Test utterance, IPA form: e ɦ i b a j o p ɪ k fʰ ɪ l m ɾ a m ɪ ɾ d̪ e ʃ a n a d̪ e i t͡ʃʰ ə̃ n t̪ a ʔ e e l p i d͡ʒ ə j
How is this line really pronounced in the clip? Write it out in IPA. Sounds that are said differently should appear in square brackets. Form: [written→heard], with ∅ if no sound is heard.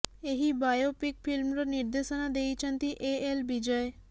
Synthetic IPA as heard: e ɦ i b a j o p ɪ k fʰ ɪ l m ɾ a [m→n] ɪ ɾ d̪ e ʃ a n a d̪ e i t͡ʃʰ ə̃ n t̪ [a→i] ʔ e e l [p→b] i d͡ʒ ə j